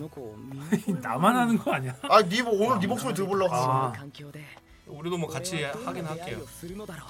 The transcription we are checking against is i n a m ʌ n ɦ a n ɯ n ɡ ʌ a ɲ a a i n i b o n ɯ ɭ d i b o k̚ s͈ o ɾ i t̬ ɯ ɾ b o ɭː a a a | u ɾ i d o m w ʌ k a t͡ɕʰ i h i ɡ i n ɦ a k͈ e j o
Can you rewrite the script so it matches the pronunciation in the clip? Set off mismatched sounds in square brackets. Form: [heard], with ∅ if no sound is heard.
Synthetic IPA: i n a m [a] n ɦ a n ɯ n ɡ ʌ a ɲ a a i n i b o n ɯ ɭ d i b o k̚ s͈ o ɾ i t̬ ɯ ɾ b o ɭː a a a | u ɾ i d o m w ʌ k a t͡ɕʰ i h [a] ɡ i n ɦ a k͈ e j o